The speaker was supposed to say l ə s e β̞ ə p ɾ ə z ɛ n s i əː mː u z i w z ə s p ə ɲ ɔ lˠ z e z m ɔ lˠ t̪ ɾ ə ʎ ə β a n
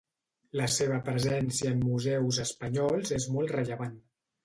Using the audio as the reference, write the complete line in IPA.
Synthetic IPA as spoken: l ə s e β̞ ə p ɾ ə z ɛ n s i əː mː u z ɛ w z ə s p ə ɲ ɔ lˠ z e z m ɔ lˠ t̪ r ə ʎ ə β a n